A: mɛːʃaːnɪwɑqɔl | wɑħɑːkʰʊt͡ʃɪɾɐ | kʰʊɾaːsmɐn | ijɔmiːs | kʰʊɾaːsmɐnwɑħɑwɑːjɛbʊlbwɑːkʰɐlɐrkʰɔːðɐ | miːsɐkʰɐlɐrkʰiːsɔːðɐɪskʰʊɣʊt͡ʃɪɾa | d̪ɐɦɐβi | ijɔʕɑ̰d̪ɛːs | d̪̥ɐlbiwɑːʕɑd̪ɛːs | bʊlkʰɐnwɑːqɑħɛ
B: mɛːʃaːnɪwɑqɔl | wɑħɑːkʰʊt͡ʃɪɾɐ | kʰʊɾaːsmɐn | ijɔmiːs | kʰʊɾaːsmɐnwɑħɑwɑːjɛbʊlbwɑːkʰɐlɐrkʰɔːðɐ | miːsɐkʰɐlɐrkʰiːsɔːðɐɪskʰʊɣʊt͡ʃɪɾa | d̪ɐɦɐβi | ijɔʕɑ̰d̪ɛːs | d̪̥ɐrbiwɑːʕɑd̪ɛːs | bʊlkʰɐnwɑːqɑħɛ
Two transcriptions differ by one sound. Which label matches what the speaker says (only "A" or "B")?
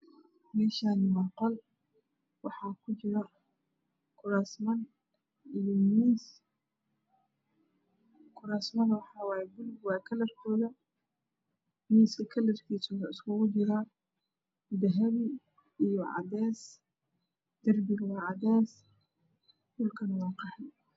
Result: B